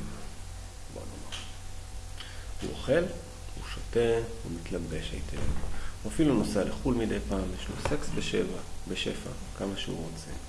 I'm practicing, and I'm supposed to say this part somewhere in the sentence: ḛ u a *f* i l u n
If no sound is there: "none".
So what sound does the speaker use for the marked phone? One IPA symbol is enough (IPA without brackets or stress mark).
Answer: f